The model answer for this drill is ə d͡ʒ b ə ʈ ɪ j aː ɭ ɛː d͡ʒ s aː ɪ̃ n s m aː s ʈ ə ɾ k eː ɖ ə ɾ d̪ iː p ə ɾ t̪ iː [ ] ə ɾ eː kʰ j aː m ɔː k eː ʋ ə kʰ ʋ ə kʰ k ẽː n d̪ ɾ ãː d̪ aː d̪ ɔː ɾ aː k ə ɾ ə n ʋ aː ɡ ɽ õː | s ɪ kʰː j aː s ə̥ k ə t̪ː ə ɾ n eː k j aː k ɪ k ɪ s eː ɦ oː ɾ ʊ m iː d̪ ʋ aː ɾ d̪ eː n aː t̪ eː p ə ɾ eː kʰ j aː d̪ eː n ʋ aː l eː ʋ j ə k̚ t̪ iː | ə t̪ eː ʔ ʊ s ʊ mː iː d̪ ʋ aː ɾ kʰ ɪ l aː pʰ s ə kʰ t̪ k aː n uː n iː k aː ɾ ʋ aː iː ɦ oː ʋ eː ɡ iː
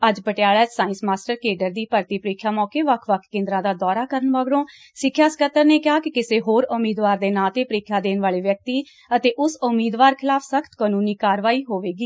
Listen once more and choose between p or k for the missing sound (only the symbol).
p